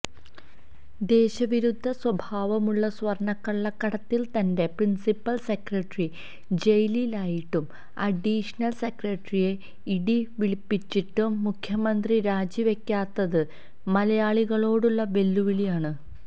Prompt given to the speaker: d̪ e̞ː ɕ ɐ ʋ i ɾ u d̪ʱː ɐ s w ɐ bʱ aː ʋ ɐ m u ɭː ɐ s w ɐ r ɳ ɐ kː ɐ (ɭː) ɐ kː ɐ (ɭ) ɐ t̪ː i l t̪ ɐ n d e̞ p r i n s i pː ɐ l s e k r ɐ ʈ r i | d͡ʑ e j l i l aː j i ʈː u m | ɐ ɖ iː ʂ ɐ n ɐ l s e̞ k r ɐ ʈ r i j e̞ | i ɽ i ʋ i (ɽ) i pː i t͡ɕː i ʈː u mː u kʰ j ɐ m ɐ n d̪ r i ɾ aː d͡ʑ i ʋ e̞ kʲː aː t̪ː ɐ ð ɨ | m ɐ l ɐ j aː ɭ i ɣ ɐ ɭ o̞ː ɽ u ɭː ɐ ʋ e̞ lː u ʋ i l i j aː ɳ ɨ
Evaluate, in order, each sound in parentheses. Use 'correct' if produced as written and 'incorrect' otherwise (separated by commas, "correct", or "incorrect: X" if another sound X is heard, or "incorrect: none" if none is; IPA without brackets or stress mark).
correct, incorrect: ɽ, incorrect: ɭ